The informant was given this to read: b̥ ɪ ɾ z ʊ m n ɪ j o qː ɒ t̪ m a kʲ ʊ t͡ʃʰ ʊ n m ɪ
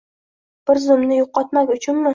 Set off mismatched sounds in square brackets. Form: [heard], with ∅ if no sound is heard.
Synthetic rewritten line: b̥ ɪ ɾ z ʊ m n ɪ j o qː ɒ t̪ m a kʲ ʊ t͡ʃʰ ʊ n m ɪ